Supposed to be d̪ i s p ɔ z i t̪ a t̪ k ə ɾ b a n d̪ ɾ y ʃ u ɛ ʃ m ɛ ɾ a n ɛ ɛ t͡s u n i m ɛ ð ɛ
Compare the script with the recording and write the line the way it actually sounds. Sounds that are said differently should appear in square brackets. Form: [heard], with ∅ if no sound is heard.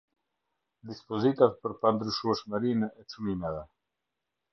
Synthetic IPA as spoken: d̪ i s p ɔ z i t̪ a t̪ [p] ə ɾ [p] a n d̪ ɾ y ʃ u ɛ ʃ m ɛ ɾ [i] n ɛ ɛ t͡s u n i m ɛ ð ɛ